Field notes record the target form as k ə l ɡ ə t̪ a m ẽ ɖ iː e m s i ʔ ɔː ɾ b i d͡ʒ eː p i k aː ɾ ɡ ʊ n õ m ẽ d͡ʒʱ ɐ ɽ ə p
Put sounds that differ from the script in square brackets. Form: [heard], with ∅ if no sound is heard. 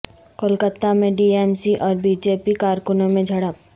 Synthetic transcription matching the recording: k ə l [k] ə t̪ a m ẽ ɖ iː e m s i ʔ ɔː ɾ b i d͡ʒ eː p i k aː ɾ [k] ʊ n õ m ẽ d͡ʒʱ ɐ ɽ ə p